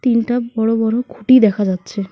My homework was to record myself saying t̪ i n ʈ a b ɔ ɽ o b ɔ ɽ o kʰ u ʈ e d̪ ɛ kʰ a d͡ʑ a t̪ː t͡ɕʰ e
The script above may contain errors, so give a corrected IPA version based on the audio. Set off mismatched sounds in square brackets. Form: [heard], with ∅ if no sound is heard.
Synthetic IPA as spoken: t̪ i n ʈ a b ɔ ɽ o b ɔ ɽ o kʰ u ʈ [i] d̪ ɛ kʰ a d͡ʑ a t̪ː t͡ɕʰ e